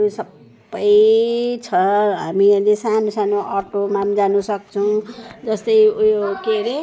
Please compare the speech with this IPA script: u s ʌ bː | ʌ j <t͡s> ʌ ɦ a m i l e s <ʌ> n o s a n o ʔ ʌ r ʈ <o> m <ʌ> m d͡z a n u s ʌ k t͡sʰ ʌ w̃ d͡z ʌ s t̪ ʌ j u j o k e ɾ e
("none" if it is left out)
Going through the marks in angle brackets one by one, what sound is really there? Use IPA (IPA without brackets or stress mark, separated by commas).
t͡sʰ, a, o, a